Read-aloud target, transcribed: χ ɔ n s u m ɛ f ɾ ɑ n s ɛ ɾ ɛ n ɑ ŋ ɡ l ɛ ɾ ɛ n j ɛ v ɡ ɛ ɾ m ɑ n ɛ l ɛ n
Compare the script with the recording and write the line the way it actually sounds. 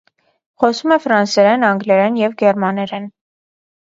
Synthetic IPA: χ ɔ s u m ɛ f ɾ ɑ n s ɛ ɾ ɛ n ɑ ŋ ɡ l ɛ ɾ ɛ n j ɛ v ɡ ɛ ɾ m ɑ n ɛ ɾ ɛ n